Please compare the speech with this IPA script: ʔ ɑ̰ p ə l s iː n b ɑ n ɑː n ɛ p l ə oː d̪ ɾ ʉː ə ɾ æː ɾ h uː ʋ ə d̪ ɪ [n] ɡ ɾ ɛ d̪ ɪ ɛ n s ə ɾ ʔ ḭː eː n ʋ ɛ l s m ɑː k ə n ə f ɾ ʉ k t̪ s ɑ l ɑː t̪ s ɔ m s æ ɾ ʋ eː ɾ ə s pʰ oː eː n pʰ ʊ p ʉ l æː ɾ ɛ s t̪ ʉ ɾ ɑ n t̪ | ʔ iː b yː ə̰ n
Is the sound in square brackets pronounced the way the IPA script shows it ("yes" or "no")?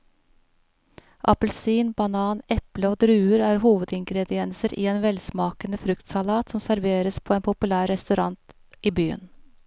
no